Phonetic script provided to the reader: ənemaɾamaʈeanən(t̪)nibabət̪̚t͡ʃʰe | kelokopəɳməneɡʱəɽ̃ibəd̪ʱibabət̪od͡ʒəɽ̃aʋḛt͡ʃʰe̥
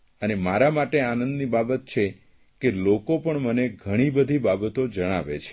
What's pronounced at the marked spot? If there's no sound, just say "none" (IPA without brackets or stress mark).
d̪